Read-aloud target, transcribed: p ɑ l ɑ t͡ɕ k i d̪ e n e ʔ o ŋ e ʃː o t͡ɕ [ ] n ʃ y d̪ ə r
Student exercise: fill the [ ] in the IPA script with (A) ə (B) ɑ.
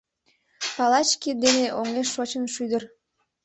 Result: A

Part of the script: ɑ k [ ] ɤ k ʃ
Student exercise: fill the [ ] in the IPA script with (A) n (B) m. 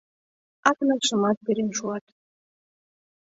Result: A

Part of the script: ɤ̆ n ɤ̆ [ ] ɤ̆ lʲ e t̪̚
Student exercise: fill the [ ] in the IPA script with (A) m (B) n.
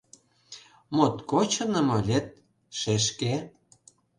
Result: A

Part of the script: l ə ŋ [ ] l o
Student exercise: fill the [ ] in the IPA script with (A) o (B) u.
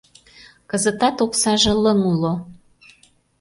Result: B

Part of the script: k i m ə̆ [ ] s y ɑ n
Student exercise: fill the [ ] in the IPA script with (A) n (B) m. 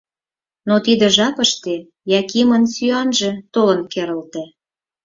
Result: A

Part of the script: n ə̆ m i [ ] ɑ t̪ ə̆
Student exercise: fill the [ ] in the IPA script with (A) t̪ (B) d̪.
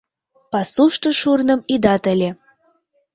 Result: B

